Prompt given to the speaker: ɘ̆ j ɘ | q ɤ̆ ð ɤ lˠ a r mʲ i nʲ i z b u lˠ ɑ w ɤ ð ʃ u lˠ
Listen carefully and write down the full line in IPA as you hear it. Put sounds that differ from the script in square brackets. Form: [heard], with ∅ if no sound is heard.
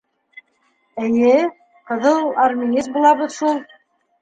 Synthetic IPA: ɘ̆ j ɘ | q ɤ̆ ð ɤ lˠ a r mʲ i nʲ i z b u lˠ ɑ [β] ɤ ð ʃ u lˠ